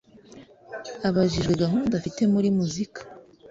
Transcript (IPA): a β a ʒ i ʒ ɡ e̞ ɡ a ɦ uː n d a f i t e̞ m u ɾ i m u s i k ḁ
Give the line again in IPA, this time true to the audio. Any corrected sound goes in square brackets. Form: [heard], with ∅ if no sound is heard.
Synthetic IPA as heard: a β a ʒ i ʒ ɡ e̞ ɡ a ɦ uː n d a f i t e̞ m u ɾ i m u [z] i k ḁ